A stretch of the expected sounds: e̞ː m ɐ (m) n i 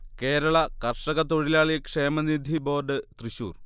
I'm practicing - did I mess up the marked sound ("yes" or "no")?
yes